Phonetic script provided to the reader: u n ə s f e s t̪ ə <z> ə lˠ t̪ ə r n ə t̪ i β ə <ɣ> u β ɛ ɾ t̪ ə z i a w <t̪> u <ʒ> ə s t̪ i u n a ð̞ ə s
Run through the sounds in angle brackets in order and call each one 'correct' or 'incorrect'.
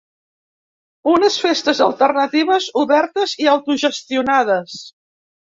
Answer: correct, incorrect: z, correct, correct

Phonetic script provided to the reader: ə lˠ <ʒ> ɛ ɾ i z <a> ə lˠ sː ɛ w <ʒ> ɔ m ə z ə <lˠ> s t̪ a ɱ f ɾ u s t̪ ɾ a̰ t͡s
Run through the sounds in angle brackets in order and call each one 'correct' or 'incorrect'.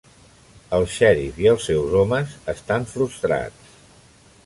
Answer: incorrect: ʃ, incorrect: i, incorrect: z, incorrect: none

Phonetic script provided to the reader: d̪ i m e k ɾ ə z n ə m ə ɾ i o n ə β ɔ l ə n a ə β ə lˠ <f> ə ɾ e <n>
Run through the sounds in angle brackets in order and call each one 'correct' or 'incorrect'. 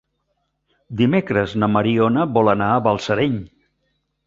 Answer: incorrect: s, incorrect: ɲ

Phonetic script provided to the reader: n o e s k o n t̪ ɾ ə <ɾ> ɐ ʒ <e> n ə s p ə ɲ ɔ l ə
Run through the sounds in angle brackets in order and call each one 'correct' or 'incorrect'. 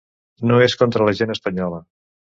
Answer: incorrect: l, correct

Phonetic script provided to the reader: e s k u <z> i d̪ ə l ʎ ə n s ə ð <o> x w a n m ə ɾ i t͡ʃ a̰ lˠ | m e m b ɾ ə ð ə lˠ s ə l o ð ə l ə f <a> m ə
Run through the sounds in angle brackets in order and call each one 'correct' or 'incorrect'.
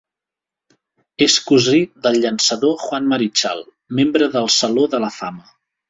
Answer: correct, correct, correct

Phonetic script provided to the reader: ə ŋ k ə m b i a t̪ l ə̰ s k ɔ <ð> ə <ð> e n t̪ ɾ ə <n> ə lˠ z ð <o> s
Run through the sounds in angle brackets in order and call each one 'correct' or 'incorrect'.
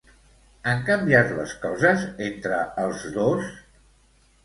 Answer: incorrect: z, incorrect: z, incorrect: none, correct

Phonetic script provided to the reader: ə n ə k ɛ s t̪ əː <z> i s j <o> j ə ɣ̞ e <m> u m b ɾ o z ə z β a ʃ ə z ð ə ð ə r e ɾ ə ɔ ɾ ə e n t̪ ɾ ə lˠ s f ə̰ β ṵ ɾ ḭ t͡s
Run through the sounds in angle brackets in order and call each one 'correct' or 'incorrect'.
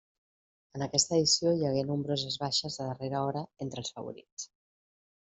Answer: incorrect: ð, correct, incorrect: n

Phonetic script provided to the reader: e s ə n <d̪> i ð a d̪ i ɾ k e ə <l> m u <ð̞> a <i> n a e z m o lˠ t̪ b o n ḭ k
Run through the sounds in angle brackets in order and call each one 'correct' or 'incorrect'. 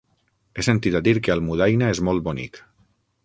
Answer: incorrect: t̪, correct, correct, incorrect: j

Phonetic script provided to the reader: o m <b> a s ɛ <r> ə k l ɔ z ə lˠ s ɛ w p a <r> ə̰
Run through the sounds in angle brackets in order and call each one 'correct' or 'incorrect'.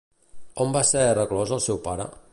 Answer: correct, correct, incorrect: ɾ

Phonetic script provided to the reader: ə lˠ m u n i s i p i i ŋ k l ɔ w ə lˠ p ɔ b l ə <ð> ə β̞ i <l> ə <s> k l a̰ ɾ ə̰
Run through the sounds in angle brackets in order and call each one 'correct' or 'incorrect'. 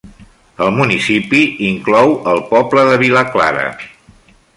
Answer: correct, correct, incorrect: none

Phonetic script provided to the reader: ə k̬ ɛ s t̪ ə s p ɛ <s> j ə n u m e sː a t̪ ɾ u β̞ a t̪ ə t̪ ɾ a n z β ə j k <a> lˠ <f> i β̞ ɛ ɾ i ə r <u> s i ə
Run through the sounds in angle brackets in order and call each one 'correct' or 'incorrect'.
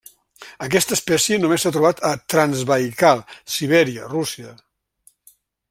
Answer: correct, correct, incorrect: s, correct

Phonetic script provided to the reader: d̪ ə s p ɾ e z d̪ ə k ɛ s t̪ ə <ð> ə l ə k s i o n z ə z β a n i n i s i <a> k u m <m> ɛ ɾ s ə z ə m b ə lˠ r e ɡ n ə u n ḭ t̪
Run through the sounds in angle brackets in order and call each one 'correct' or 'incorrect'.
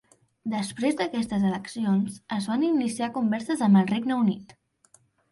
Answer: incorrect: z, correct, incorrect: b

